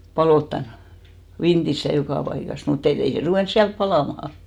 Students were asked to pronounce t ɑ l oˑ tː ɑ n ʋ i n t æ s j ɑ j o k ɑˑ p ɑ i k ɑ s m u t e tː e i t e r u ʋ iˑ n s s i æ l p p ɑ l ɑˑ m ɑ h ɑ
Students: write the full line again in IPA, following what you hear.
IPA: p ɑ l oˑ tː ɑ n ʋ i n t i s j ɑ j o k ɑˑ p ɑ i k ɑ s m u t e tː e i s e r u ʋ eˑ n s s i æ l p p ɑ l ɑˑ m ɑ h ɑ